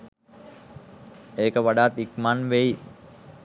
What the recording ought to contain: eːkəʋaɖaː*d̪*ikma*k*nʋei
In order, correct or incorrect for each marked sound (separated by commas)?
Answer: incorrect, incorrect